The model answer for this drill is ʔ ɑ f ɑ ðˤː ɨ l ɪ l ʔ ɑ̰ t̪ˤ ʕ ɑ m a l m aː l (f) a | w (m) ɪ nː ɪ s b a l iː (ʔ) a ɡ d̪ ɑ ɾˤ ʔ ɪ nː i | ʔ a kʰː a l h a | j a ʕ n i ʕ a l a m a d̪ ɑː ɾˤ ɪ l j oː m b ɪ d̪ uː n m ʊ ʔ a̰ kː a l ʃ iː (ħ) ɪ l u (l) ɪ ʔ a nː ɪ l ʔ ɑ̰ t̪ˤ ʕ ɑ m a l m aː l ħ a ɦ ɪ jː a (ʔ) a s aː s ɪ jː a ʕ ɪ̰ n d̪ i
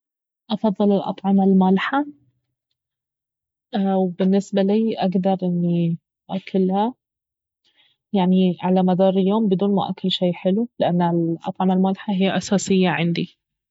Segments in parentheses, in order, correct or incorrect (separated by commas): incorrect, incorrect, correct, correct, correct, correct